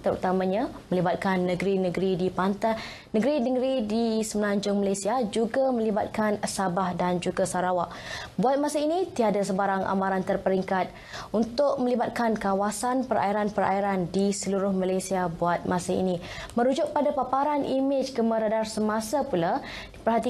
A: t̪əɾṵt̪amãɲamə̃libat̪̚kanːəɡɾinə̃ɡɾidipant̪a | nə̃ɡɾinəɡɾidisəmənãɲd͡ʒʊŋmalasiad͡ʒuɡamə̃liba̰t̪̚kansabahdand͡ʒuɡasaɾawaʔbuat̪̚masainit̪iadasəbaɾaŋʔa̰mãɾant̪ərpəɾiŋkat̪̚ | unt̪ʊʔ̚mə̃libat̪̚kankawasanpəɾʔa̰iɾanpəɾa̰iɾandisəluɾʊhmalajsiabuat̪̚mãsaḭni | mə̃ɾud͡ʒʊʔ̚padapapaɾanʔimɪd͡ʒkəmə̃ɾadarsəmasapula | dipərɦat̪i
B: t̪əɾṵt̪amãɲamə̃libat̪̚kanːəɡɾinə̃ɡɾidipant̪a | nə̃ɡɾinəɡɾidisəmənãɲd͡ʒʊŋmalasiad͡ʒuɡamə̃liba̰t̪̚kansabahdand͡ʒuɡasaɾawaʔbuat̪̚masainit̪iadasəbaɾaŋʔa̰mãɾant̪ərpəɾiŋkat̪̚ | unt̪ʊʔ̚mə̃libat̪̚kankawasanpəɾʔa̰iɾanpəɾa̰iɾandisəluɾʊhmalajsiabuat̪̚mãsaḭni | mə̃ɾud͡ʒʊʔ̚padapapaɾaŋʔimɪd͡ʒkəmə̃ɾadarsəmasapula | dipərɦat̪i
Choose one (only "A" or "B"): A